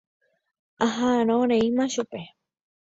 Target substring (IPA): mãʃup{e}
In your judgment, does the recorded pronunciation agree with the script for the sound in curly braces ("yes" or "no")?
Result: yes